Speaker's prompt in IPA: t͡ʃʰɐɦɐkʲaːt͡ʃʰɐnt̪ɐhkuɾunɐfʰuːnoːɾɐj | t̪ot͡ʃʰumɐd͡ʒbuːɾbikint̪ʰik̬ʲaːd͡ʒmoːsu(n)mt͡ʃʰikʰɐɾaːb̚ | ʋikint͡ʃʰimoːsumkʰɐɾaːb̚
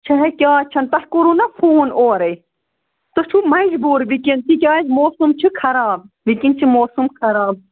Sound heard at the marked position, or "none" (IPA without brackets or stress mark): none